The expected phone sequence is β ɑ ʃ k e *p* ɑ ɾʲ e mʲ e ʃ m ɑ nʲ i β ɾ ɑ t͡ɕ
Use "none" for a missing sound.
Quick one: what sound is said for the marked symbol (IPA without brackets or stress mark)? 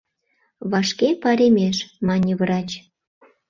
p